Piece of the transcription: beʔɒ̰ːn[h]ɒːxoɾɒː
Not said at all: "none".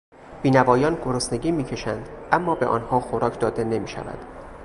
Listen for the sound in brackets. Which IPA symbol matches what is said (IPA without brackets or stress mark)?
h